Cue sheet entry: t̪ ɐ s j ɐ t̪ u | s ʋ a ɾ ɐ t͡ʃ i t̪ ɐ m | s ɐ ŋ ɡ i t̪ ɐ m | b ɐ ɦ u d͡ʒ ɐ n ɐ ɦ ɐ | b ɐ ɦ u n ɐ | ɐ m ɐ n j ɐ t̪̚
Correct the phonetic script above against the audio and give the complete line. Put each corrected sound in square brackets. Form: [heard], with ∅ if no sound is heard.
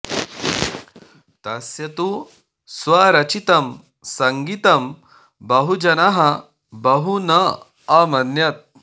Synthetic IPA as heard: t̪ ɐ s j ɐ t̪ u | s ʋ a ɾ ɐ t͡ʃ i t̪ ɐ m | s ɐ ŋ ɡ i t̪ ɐ m | b ɐ ɦ u d͡ʒ ɐ n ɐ ɦ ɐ | b ɐ ɦ u n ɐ | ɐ m ɐ n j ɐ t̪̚